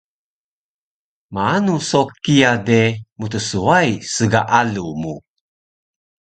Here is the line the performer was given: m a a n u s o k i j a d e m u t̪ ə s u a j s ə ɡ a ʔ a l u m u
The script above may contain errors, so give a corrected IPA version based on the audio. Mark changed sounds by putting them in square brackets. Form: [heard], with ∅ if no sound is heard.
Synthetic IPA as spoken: m a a n u s o k i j a d e m u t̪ ə s u a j s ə ɡ a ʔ a l u m u